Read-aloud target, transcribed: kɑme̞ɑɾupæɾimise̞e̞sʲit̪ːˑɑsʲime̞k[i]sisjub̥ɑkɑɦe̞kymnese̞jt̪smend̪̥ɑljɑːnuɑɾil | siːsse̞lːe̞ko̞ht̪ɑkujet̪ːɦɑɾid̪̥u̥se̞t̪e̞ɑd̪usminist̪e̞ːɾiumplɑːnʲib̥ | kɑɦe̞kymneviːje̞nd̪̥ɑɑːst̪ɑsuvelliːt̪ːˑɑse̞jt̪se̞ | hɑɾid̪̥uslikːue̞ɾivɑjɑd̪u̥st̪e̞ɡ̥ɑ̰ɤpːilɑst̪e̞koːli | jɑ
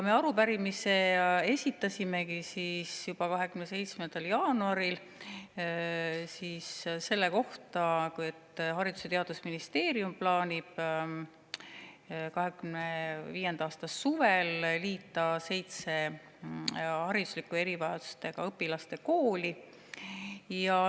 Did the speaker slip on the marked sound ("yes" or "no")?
no